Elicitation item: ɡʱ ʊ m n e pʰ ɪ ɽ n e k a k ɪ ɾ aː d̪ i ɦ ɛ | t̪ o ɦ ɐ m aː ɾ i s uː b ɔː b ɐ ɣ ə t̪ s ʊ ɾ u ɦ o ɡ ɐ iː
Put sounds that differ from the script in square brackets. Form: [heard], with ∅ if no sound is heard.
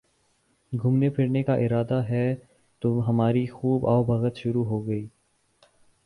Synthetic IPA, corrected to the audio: ɡʱ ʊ m n e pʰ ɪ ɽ n e k a [ʔ] ɪ ɾ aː d̪ [a] ɦ ɛ | t̪ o ɦ ɐ m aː ɾ i [x] uː b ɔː b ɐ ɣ ə t̪ [ʃ] ʊ ɾ u ɦ o ɡ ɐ iː